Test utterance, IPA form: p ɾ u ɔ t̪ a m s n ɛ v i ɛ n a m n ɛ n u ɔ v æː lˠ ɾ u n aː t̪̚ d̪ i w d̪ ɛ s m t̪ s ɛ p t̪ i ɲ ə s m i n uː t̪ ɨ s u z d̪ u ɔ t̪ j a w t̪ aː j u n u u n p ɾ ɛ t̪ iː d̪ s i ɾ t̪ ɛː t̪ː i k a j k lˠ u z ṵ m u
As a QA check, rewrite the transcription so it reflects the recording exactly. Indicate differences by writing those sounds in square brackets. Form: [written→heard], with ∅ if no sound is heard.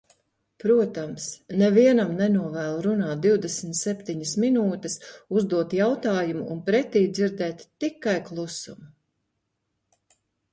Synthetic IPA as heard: p ɾ u ɔ t̪ a m s n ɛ v i ɛ n a m n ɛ n u ɔ v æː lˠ ɾ u n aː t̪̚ d̪ i w d̪ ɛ s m t̪ s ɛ p t̪ i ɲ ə s m i n uː t̪ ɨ s u z d̪ u ɔ t̪ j a w t̪ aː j u [n→m] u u n p ɾ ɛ t̪ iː d̪ [s→z] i ɾ [t̪→d̪] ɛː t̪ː i k a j k lˠ u [z→s] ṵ m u

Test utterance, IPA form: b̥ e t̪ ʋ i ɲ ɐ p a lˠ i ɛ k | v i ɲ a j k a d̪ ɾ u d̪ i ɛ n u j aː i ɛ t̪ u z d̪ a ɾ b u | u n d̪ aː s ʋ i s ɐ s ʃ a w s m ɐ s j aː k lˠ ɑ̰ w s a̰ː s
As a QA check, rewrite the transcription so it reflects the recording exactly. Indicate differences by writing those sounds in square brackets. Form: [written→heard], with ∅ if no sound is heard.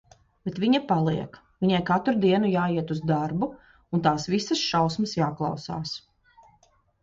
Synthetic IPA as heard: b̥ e t̪ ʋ i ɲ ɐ p a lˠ i ɛ k | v i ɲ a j k a [d̪→t̪] ɾ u d̪ i ɛ n u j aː i ɛ t̪ u z d̪ a ɾ b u | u n [d̪→t̪] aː s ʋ i s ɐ s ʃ a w s m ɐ s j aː k lˠ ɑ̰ w s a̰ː s

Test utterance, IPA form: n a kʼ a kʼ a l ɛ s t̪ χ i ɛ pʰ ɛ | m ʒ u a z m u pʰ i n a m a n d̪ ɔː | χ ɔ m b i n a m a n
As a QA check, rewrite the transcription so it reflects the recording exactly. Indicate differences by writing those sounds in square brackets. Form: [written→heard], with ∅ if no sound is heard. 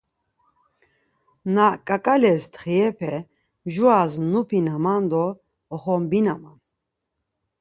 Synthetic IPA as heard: n a kʼ a kʼ a l ɛ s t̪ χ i ɛ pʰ ɛ | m ʒ u a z [m→n] u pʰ i n a m a n d̪ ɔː | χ ɔ m b i n a m a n

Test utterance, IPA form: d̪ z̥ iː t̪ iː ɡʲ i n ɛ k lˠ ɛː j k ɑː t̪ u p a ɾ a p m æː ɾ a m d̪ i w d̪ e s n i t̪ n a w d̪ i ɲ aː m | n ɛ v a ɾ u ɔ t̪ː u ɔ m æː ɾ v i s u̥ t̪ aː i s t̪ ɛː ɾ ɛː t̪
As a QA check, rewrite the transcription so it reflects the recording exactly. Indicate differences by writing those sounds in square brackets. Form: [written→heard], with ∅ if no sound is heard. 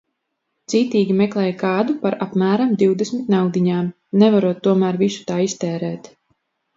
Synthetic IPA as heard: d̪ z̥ iː t̪ iː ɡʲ i [n→m] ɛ k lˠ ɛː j k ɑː [t̪→d̪] u p a ɾ a p m æː ɾ a m d̪ i w d̪ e s [n→m] i t̪ n a w d̪ i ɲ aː m | n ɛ v a ɾ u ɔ t̪ː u ɔ m æː ɾ v i s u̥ t̪ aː i s t̪ ɛː ɾ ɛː t̪

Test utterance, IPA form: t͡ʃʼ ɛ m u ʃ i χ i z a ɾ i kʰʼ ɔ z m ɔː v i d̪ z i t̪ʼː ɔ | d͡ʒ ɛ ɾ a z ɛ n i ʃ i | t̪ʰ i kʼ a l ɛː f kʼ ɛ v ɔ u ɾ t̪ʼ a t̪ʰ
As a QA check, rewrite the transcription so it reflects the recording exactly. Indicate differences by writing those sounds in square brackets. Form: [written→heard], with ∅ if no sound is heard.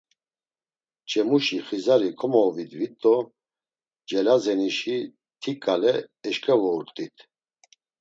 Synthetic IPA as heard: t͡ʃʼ ɛ m u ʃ i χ i z a ɾ i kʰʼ ɔ [z→∅] m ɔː v i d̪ [z→v] i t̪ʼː ɔ | d͡ʒ ɛ [ɾ→l] a z ɛ n i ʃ i | t̪ʰ i kʼ a l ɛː [f→ʃ] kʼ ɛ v ɔ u ɾ t̪ʼ [a→i] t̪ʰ

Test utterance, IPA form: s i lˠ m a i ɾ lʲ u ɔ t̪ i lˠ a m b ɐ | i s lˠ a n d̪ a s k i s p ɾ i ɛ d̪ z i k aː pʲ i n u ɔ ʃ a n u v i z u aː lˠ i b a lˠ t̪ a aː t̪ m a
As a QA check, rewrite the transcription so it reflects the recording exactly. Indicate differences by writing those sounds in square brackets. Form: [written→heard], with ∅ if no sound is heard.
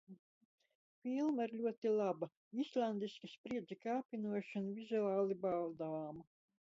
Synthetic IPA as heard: [s→f] i lˠ m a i ɾ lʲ u ɔ t̪ i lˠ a [m→∅] b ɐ | i s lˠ a n d̪ [a→i] s k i s p ɾ i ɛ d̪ z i k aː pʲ i n u ɔ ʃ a n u v i z u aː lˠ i b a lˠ [t̪→d̪] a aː [t̪→∅] m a

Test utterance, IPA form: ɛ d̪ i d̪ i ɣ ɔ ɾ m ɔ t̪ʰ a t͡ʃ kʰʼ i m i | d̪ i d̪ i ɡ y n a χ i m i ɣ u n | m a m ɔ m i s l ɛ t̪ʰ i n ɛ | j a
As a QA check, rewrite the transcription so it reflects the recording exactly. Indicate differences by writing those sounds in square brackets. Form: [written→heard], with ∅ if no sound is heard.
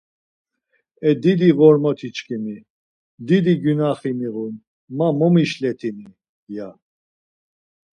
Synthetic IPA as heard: ɛ d̪ i d̪ i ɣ ɔ ɾ m ɔ t̪ʰ [a→i] t͡ʃ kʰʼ i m i | d̪ i d̪ i ɡ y n a χ i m i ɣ u n | m a m ɔ m i [s→ʃ] l ɛ t̪ʰ i n [ɛ→i] | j a

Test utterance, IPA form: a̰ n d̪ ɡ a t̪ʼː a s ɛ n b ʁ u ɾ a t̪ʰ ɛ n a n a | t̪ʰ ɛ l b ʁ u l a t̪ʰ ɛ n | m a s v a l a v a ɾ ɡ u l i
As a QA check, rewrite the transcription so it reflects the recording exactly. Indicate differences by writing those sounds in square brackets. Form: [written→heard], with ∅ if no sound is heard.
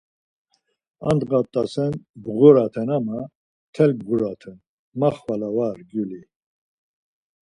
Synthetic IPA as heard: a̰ n d̪ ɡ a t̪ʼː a s ɛ n b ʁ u ɾ a t̪ʰ ɛ n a [n→m] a | t̪ʰ ɛ l b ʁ u [l→ɾ] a t̪ʰ ɛ n | m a [s→χ] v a l a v a ɾ ɡ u l i

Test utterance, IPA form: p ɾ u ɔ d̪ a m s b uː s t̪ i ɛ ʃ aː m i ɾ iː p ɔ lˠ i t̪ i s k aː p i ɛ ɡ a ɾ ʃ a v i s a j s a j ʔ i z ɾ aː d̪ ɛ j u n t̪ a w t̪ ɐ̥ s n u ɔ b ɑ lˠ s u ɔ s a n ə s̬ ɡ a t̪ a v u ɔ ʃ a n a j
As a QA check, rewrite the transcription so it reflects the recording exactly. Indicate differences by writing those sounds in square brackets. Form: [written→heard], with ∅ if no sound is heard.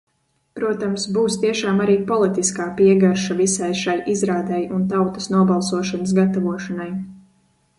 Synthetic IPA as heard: p ɾ u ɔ [d̪→t̪] a m s b uː s t̪ i ɛ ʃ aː m [i→a] ɾ iː p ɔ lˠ i t̪ i s k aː p i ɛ ɡ a ɾ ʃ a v i s a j [s→ʃ] a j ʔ i z ɾ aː d̪ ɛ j u n t̪ a w t̪ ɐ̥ s n u ɔ b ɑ lˠ s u ɔ [s→ʃ] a n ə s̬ ɡ a t̪ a v u ɔ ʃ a n a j

